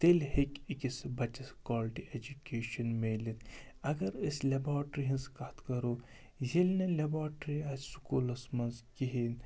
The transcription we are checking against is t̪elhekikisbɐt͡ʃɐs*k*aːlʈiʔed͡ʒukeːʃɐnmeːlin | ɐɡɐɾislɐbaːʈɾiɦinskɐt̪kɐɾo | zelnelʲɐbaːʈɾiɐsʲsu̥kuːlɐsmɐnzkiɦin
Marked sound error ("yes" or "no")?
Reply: no